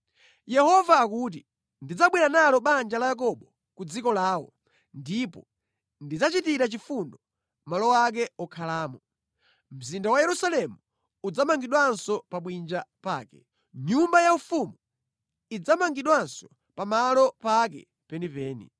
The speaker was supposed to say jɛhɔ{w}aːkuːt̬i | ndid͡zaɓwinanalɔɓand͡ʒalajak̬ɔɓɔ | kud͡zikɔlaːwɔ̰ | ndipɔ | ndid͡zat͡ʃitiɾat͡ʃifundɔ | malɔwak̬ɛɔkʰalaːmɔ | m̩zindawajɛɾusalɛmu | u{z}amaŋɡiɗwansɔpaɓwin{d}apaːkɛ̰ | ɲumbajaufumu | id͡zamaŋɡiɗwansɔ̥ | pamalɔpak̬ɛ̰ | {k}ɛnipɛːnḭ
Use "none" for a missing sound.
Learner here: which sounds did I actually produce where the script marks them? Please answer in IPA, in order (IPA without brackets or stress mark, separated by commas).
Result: v, d͡z, d͡ʒ, p